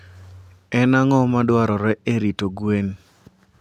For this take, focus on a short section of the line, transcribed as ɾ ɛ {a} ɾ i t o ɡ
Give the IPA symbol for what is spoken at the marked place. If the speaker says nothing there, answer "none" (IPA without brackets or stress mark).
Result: e